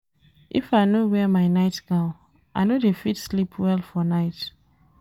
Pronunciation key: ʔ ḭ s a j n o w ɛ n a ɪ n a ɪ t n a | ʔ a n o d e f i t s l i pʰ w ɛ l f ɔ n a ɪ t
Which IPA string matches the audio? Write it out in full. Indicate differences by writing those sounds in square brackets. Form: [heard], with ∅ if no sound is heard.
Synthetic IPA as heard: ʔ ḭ [f] a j n o w ɛ [m] a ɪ n a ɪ t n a | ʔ a n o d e f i t s l i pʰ w ɛ l f ɔ n a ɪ t